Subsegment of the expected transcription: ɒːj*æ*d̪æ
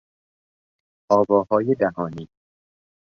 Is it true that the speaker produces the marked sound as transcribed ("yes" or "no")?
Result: no